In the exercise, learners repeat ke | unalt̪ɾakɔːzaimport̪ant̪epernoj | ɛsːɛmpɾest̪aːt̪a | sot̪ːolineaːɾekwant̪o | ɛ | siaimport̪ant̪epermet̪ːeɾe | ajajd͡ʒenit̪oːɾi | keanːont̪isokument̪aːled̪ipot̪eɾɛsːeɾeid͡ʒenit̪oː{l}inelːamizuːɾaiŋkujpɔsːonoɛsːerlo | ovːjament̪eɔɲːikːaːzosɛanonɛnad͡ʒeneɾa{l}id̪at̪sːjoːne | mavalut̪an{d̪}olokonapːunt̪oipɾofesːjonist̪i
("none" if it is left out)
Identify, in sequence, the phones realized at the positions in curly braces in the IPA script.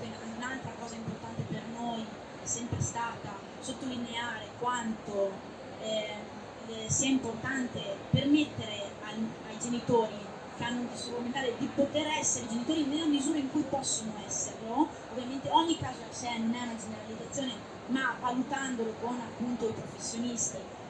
ɾ, l, d̪

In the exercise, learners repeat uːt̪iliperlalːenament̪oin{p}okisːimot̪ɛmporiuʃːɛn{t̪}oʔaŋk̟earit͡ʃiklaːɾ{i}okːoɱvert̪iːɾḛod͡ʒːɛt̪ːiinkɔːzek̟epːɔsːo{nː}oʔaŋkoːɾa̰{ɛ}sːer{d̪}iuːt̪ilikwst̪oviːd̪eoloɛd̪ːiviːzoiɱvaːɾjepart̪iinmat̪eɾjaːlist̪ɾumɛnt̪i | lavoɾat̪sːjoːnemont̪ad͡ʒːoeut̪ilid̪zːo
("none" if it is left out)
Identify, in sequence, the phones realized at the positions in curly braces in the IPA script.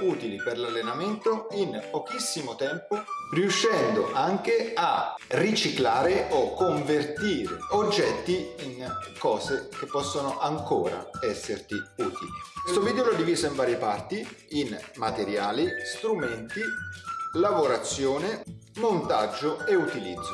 p, d̪, e, n, ɛ, t̪

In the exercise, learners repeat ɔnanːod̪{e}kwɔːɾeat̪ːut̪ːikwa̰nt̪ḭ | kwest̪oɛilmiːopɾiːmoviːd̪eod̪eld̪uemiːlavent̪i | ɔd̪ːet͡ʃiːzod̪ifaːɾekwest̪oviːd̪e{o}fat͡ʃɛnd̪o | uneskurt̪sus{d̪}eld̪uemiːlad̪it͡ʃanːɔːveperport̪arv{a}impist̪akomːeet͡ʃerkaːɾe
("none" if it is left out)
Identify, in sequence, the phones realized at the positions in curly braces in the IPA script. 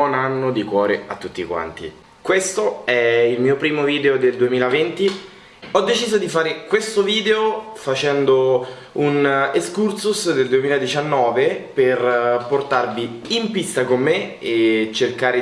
i, o, d̪, i

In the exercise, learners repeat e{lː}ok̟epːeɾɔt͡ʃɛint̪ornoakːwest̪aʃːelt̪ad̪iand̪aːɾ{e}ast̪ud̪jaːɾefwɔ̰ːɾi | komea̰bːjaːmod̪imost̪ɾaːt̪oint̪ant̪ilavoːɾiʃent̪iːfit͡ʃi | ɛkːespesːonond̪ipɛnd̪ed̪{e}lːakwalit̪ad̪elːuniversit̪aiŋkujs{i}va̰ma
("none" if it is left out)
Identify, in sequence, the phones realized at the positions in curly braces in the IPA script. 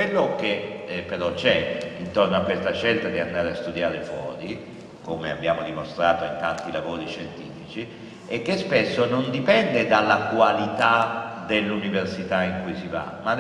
lː, e, a, i

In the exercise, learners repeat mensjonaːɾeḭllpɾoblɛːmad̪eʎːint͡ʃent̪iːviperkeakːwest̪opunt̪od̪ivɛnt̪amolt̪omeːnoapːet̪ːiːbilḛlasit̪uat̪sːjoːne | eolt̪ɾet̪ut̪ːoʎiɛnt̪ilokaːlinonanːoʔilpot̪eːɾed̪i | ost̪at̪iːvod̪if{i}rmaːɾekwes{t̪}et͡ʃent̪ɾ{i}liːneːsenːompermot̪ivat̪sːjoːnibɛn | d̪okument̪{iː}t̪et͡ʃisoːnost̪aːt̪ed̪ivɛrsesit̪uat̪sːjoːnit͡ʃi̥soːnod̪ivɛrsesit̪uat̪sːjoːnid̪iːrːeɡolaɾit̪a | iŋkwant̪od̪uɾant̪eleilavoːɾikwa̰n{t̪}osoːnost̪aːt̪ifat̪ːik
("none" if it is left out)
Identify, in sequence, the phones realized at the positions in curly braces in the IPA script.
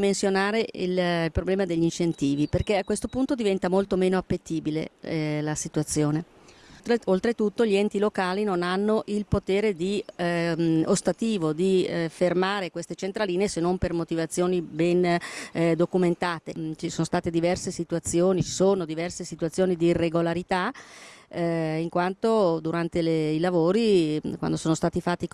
e, t̪, a, aː, d̪

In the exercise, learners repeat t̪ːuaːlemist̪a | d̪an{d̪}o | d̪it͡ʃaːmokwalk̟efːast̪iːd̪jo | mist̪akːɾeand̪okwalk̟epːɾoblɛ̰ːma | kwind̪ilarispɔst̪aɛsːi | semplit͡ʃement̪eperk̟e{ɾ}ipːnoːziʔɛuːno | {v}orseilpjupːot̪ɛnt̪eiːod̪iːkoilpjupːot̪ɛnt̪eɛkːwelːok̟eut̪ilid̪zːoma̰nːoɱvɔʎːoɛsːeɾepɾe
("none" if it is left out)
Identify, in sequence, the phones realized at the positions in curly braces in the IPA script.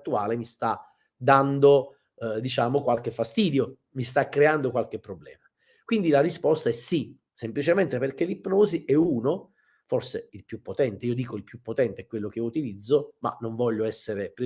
d̪, l, f

